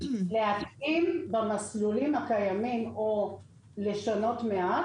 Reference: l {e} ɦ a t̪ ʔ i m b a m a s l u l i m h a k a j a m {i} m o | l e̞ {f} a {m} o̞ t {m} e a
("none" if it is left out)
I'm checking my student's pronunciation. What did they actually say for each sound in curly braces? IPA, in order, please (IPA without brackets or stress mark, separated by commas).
e, i, ʃ, n, m